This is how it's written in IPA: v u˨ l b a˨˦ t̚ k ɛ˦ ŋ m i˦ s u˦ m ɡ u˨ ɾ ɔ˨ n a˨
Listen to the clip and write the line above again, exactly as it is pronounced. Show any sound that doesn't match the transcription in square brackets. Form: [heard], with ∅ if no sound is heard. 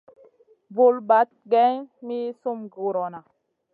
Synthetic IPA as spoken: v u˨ l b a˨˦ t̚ [ɡ] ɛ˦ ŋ m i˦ s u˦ m ɡ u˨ ɾ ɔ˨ n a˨